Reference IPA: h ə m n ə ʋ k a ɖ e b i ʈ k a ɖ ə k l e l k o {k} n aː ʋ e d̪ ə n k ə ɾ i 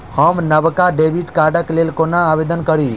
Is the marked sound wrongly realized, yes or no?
yes